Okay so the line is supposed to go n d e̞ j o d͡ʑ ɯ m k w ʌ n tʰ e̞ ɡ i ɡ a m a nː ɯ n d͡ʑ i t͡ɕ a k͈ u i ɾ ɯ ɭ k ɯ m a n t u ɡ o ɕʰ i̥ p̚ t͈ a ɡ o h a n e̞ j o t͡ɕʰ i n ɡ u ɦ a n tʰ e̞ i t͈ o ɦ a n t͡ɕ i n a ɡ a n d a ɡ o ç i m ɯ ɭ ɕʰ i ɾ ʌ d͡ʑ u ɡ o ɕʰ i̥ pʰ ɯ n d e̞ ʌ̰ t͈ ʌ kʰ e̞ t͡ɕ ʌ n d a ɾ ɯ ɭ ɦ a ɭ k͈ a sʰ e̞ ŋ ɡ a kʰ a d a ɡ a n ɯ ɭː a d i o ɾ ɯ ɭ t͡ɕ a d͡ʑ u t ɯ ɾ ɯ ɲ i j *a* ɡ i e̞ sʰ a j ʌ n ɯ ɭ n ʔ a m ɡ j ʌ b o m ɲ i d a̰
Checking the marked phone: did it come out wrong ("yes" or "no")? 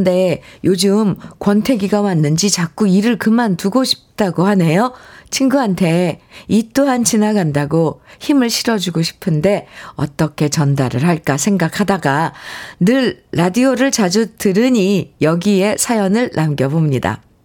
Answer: yes